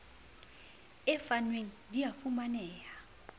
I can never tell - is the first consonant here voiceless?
yes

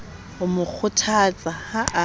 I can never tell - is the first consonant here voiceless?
no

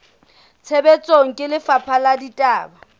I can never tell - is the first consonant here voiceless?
yes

